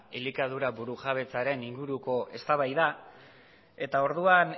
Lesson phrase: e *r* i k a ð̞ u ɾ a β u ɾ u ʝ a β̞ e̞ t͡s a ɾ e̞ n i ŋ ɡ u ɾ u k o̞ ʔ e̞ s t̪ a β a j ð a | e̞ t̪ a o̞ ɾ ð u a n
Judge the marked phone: incorrect: l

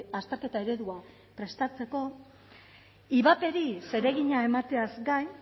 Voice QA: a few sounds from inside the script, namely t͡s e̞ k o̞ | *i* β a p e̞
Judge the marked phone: correct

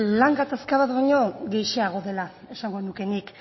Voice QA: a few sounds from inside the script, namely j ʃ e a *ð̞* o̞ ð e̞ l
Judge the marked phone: incorrect: ɣ̞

